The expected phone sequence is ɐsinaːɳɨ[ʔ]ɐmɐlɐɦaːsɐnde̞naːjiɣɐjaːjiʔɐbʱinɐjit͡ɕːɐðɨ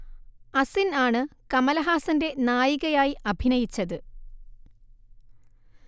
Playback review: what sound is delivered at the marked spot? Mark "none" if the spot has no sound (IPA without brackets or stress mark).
k